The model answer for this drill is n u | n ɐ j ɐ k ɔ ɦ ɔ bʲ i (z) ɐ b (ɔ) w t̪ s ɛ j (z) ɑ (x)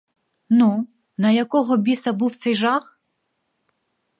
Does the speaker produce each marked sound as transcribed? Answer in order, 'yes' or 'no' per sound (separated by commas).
no, no, no, yes